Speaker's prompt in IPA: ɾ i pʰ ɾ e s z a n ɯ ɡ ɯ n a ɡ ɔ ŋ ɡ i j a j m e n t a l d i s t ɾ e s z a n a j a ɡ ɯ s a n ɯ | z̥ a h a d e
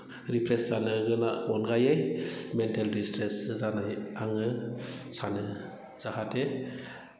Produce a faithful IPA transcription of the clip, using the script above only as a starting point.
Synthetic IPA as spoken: ɾ i pʰ ɾ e s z a n ɯ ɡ ɯ n a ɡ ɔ n ɡ a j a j m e n t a l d i s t ɾ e s z a n a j a ŋ ɯ s a n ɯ | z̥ a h a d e